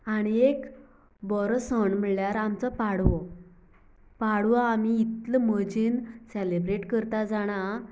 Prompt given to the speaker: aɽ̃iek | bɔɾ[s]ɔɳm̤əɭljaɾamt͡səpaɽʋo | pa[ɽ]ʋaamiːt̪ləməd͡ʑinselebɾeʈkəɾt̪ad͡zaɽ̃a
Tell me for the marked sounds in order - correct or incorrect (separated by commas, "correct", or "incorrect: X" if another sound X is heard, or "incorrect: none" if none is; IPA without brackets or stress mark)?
correct, correct